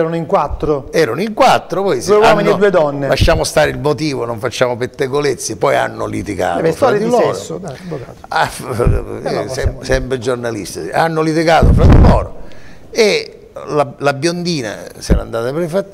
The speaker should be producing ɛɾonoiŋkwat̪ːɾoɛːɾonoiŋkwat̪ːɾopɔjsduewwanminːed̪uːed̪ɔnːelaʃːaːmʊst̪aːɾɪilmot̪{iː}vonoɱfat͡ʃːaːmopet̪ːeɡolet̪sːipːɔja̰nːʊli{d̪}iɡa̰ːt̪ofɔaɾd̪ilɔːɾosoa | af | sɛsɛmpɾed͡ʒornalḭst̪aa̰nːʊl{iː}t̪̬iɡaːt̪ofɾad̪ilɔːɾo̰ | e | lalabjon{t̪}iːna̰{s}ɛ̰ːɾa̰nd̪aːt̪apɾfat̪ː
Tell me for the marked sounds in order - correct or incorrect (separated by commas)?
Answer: correct, incorrect, incorrect, incorrect, correct